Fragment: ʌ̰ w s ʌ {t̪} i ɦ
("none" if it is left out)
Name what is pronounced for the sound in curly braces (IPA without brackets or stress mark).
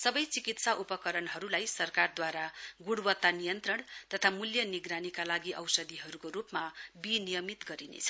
d̪